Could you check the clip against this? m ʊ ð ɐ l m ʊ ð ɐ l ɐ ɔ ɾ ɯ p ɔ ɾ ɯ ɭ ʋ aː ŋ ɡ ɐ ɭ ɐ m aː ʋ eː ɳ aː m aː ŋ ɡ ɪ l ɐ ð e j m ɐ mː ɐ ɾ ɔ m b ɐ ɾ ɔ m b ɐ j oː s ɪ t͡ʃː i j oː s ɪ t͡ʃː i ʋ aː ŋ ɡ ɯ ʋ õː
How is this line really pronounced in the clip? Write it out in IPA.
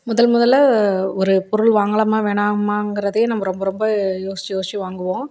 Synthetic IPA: m ʊ ð ɐ l m ʊ ð ɐ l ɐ ɔ ɾ ɯ p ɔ ɾ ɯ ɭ ʋ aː ŋ ɡ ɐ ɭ ɐ m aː ʋ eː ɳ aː m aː ŋ ɡ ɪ ɾ ɐ ð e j n ɐ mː ɐ ɾ ɔ m b ɐ ɾ ɔ m b ɐ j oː s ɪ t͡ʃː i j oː s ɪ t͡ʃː i ʋ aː ŋ ɡ ɯ ʋ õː